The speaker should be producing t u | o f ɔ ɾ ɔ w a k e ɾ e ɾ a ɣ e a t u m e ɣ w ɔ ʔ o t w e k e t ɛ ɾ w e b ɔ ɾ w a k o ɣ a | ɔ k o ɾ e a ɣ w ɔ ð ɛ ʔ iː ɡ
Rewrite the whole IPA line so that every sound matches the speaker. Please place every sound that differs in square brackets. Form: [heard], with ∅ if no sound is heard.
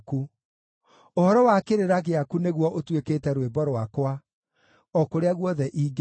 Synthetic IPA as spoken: [k] u | o [h] ɔ ɾ ɔ w a k e ɾ e ɾ a ɣ e a [k] u [n] e ɣ w ɔ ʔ o t w e k e t ɛ ɾ w e b ɔ ɾ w a k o [w] a | ɔ k o ɾ e a ɣ w ɔ ð ɛ ʔ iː ɡ